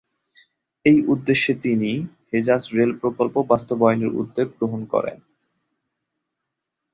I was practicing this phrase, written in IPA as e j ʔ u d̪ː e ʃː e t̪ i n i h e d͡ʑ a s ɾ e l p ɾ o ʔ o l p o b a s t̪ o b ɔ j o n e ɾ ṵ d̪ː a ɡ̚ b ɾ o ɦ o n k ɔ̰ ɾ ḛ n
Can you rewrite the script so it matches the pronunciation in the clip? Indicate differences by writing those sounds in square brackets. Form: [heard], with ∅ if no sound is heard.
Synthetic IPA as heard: e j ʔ u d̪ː e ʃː e t̪ i n i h e d͡ʑ a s ɾ e l p ɾ o [k] o l p o b a s t̪ o b ɔ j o n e ɾ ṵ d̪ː [e] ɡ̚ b ɾ o ɦ o n k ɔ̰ ɾ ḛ n